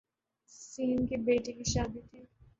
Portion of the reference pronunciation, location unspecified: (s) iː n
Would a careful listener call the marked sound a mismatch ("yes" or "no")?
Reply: no